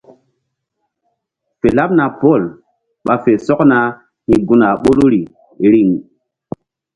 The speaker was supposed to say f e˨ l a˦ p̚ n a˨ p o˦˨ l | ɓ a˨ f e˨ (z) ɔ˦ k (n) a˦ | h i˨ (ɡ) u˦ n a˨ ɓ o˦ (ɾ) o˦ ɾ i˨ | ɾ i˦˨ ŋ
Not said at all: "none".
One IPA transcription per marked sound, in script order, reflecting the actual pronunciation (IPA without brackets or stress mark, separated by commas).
s, n, ɡ, l